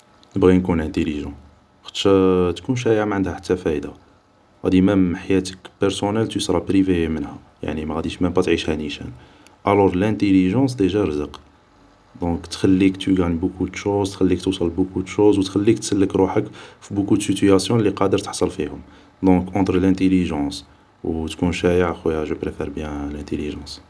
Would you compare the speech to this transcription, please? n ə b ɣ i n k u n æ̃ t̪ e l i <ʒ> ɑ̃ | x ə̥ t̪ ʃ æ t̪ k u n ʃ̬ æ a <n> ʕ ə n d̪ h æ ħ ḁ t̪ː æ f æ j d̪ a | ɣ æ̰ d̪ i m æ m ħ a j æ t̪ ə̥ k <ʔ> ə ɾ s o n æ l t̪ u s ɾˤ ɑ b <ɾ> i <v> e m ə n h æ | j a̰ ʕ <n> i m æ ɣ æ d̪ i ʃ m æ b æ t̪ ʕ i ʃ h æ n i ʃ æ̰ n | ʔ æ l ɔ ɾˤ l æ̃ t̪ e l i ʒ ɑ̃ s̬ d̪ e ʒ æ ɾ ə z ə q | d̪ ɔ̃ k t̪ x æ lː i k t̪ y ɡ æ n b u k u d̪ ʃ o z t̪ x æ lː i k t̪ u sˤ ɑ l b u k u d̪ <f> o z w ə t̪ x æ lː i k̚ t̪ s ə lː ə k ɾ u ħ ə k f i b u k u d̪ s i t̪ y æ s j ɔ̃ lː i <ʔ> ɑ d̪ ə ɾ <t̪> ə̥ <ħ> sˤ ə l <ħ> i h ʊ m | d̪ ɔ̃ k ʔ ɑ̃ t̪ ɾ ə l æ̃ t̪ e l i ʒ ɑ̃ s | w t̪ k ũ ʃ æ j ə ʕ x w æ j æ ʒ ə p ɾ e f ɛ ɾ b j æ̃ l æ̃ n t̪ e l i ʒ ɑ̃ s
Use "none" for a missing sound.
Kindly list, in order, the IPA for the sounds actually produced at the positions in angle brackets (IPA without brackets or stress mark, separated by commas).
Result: ʒ, m, p, ɾ, v, n, ʃ, q, t̪, ħ, f